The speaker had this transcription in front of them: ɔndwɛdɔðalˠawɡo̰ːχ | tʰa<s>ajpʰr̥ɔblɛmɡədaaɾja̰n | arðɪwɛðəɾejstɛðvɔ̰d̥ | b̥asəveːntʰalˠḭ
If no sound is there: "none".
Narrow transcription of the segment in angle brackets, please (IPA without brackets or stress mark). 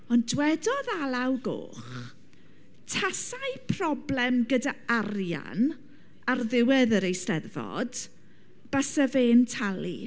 s